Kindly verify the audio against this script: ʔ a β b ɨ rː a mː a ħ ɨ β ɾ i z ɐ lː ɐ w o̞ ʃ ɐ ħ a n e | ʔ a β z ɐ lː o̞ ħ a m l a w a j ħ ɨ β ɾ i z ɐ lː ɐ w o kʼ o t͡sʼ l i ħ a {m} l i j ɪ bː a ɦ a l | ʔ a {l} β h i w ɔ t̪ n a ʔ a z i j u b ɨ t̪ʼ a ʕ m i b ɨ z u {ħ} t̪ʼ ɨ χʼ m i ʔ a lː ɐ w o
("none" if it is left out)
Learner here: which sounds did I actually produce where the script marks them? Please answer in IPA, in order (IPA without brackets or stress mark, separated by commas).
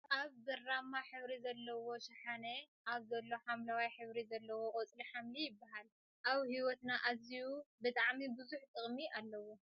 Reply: m, none, ħ